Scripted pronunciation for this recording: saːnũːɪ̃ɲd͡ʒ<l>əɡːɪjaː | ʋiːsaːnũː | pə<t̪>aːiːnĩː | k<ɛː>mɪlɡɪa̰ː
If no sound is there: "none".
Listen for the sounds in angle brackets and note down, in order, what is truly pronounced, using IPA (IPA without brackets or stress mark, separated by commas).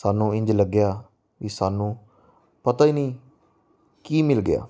l, t̪, iː